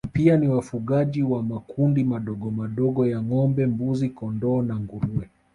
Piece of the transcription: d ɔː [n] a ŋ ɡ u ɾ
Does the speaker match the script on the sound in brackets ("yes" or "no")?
yes